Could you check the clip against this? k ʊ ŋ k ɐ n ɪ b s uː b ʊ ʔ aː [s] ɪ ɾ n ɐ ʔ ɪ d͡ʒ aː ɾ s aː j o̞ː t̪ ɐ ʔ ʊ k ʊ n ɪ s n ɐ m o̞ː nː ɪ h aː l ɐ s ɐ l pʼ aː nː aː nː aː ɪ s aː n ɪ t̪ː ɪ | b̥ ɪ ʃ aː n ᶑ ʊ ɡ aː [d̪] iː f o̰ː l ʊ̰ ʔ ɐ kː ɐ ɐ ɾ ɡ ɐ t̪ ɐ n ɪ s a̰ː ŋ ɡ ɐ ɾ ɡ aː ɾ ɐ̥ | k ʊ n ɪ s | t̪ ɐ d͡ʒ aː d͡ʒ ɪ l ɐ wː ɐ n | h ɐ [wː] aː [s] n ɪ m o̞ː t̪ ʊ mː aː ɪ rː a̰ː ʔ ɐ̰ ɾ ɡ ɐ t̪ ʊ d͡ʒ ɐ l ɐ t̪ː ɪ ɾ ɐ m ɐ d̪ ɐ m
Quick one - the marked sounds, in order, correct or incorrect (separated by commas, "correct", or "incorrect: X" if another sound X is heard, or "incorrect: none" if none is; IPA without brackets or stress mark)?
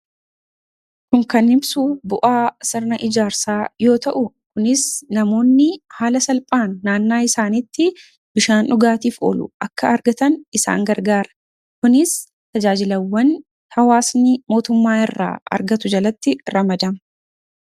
correct, incorrect: t̪, incorrect: w, correct